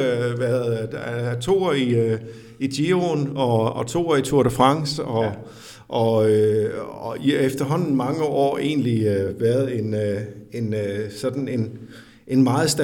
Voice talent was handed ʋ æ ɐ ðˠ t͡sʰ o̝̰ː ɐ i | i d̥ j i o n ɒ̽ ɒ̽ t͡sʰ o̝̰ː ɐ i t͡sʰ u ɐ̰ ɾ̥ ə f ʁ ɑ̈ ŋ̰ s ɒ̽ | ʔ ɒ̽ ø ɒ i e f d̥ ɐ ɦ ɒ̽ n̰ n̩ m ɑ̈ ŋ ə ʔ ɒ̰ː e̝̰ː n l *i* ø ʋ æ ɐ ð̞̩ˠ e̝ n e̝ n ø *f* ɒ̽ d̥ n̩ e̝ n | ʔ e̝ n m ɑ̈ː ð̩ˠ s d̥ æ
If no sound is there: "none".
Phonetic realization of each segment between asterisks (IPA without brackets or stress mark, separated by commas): i, s